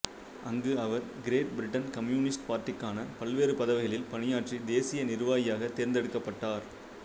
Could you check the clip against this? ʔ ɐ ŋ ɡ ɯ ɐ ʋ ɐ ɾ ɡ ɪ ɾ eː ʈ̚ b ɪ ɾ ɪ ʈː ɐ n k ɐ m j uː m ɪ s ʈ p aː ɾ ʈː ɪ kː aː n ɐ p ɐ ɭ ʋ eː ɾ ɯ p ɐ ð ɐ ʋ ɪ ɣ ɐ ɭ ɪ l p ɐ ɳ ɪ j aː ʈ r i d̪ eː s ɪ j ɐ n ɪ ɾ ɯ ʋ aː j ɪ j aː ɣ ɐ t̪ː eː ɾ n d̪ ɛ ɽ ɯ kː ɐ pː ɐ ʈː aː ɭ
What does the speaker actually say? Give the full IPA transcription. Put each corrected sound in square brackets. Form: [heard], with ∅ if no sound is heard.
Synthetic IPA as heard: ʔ ɐ ŋ ɡ ɯ ɐ ʋ ɐ ɾ ɡ ɪ ɾ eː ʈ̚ b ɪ ɾ ɪ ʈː ɐ n k ɐ m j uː [n] ɪ s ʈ p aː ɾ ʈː ɪ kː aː n ɐ p ɐ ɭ ʋ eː ɾ ɯ p ɐ ð ɐ ʋ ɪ ɣ ɐ ɭ ɪ l p ɐ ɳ ɪ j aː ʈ r i d̪ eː s ɪ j ɐ n ɪ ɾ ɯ ʋ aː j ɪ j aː ɣ ɐ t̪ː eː ɾ n d̪ ɛ ɽ ɯ kː ɐ pː ɐ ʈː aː [ɾ]